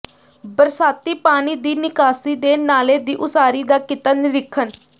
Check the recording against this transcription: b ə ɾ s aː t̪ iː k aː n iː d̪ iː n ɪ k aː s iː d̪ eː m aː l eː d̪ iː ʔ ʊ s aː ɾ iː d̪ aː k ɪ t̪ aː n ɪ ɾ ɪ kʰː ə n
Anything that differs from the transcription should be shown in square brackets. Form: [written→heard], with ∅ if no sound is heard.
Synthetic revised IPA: b ə ɾ s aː t̪ iː [k→p] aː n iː d̪ iː n ɪ k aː s iː d̪ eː [m→n] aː l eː d̪ iː ʔ ʊ s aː ɾ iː d̪ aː k ɪ t̪ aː n ɪ ɾ ɪ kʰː ə n